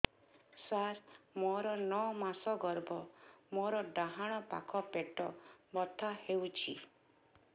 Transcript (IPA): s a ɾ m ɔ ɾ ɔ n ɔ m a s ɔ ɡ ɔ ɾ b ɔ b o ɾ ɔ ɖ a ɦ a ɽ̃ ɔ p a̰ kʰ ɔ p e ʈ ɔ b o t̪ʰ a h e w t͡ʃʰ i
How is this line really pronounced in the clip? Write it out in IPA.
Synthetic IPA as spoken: s a ɾ m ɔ ɾ ɔ n ɔ m a s ɔ ɡ ɔ ɾ b ɔ m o ɾ ɔ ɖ a ɦ a ɽ̃ ɔ p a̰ kʰ ɔ p e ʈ ɔ b ɔ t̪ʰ a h e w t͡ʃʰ i